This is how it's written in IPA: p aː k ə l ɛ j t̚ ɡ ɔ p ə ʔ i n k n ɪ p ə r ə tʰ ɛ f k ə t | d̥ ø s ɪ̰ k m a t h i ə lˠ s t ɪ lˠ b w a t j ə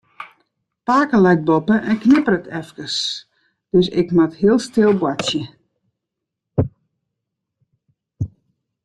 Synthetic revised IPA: p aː k ə l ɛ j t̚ b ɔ p ə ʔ ɛ n k n ɪ p ə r ə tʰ ɛ f k ə s | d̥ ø s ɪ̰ k m a t h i ə lˠ s t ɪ lˠ b w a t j ə